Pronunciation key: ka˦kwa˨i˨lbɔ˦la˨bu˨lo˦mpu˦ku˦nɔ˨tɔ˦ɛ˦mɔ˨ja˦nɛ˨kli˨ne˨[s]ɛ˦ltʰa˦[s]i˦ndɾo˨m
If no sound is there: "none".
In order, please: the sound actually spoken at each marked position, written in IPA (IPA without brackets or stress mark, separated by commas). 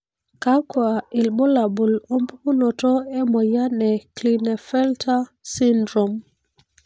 f, s